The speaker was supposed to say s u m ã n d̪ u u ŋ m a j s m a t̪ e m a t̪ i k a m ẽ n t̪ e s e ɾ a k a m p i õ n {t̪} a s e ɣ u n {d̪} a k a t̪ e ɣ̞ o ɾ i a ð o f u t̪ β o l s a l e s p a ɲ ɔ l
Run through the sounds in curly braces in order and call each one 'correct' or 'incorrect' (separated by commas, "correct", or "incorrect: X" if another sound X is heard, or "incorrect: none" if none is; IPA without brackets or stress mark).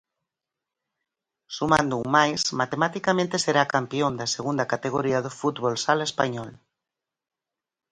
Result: incorrect: d̪, correct